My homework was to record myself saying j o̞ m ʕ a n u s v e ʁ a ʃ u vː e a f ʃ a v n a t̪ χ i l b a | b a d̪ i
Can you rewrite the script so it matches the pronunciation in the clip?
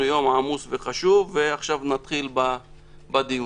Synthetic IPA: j o̞ m ʕ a m u s v e χ a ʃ u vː e a χ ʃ a v n a t̪ χ i l b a | b a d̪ i